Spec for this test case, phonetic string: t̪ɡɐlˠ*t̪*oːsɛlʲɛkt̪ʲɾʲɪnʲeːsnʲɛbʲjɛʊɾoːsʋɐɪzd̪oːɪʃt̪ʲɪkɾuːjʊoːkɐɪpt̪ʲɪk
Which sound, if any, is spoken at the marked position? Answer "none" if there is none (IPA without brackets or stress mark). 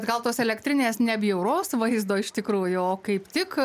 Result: t̪